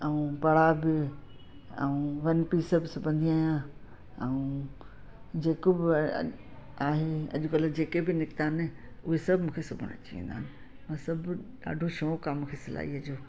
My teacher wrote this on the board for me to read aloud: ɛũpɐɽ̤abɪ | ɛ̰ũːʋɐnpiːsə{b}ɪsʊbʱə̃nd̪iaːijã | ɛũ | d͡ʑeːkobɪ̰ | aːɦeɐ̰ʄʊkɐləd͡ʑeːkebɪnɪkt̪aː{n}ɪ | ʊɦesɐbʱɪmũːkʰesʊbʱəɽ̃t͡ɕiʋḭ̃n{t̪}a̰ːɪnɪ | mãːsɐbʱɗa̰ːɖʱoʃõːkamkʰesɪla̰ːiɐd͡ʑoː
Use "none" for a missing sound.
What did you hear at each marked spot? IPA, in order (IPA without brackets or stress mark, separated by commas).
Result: b, n, d̪